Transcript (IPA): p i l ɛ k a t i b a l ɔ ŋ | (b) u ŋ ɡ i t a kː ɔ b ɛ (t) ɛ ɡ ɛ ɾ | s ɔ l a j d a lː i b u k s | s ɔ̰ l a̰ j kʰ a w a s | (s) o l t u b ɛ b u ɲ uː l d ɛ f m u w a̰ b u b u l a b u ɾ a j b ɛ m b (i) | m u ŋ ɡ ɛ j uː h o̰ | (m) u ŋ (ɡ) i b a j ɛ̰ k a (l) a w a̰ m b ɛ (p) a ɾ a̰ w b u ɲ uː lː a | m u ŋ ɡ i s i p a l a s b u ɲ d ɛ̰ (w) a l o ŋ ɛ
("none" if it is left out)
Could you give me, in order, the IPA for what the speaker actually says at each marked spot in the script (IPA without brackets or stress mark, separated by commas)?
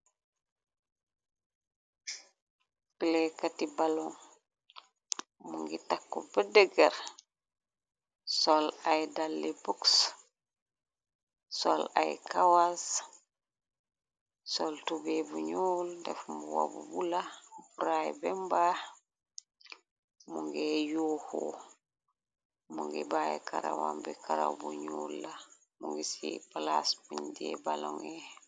m, d, s, a, m, ɡ, ɾ, k, b